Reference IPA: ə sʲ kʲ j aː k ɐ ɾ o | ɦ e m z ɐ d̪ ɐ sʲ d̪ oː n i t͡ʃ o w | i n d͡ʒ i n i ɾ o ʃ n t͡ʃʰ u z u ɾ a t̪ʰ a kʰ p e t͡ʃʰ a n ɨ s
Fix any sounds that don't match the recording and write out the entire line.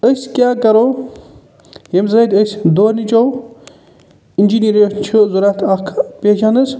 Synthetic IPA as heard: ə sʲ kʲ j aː k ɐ ɾ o | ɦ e m z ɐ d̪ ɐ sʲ d̪ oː n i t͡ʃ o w | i n d͡ʒ i n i ɾ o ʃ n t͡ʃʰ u z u ɾ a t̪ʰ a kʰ p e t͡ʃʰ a n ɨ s